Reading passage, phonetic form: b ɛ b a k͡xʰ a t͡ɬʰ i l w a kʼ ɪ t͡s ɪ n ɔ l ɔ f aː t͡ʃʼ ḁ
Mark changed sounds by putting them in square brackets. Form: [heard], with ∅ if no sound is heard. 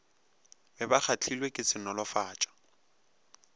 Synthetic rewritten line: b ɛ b a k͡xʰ a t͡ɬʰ i l w [e] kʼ ɪ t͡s ɪ n ɔ l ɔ f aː t͡ʃʼ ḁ